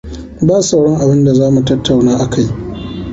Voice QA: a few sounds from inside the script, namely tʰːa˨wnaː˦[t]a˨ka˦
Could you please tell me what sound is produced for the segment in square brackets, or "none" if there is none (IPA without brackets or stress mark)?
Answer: ʔ